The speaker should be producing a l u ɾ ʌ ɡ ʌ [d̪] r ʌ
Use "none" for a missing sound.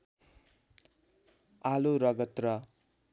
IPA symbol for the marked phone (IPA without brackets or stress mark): t̪